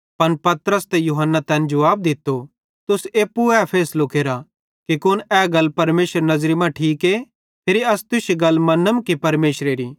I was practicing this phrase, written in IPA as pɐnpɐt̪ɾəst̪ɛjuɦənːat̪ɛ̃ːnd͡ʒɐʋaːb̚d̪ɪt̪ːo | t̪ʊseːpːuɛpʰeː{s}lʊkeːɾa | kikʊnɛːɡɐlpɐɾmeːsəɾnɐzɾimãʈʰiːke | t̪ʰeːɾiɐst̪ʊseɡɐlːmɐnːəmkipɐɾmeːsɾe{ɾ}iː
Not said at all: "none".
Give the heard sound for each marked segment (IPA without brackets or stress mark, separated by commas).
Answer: s, ɾ